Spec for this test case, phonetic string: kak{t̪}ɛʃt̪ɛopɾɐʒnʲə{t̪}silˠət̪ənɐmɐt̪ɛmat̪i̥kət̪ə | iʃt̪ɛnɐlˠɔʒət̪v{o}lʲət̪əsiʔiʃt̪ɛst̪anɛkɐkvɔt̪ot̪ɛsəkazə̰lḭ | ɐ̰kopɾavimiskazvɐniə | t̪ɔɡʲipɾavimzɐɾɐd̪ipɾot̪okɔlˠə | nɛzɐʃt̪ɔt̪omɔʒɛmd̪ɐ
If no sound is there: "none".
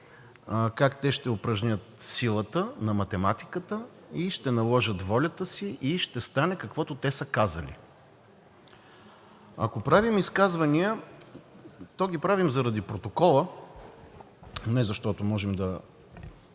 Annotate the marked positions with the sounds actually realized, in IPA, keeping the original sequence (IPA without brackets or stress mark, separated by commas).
t̪, t̪, ɔ